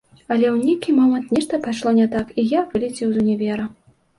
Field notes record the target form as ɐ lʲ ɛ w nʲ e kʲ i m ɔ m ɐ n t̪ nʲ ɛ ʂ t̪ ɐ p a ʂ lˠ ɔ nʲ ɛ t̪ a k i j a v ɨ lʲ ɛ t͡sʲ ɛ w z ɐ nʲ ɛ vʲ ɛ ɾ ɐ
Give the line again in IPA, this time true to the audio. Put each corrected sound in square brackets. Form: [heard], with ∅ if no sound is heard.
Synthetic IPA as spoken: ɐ lʲ ɛ w nʲ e kʲ i m ɔ m ɐ n t̪ nʲ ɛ ʂ t̪ ɐ p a ʂ lˠ ɔ nʲ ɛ t̪ a k i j a v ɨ lʲ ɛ t͡sʲ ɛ w z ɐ nʲ ɛ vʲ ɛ ɾ ɐ